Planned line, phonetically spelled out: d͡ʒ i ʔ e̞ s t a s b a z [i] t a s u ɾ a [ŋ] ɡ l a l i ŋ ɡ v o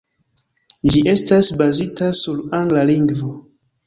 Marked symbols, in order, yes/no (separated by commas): yes, yes